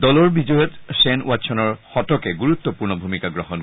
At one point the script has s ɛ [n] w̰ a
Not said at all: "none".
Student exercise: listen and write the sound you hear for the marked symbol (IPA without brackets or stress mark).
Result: n